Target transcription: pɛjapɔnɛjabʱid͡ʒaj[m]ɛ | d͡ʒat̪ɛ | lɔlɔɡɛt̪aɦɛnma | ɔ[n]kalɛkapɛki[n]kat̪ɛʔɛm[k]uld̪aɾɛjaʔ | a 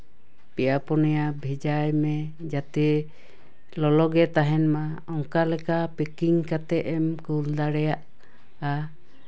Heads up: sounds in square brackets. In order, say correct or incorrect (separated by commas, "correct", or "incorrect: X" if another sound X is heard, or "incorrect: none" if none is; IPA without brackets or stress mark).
correct, incorrect: ŋ, incorrect: ŋ, correct